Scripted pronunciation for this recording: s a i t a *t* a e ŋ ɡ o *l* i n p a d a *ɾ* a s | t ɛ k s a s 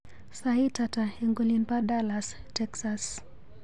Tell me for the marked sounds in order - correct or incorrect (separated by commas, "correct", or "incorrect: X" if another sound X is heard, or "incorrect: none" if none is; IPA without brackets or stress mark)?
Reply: correct, correct, incorrect: l